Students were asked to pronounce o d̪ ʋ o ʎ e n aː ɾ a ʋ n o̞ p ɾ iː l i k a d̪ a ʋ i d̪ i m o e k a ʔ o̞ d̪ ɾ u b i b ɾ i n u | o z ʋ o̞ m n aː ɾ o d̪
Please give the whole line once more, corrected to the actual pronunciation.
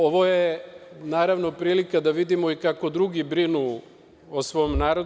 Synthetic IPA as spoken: o ʋ o j e n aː ɾ a ʋ n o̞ p ɾ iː l i k a d̪ a ʋ i d̪ i m o i k a k o̞ d̪ ɾ u ɡ i b ɾ i n u | o s ʋ o̞ m n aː ɾ o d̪